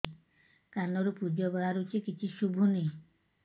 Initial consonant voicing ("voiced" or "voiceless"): voiceless